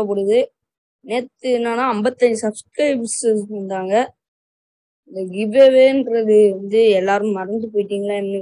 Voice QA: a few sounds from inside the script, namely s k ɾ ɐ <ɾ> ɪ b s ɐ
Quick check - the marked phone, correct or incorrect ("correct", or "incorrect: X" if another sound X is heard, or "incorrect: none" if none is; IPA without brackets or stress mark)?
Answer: incorrect: none